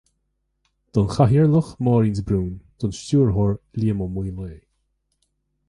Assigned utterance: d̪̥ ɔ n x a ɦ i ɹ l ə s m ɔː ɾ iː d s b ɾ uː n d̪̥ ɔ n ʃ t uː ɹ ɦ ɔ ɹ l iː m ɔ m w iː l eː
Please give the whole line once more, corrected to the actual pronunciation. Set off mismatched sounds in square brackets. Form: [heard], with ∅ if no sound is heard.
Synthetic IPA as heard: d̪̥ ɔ n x a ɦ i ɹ l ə [x] m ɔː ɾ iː [n] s b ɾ uː n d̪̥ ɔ n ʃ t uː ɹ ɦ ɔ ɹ l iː m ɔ m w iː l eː